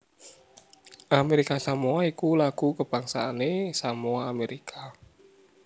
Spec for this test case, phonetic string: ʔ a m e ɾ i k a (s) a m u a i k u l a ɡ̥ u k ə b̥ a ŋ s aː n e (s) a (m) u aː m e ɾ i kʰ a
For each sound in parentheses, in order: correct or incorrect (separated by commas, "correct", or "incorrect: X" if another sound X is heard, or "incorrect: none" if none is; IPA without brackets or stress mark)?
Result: correct, correct, correct